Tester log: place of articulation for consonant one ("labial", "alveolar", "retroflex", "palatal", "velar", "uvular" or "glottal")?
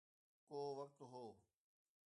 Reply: velar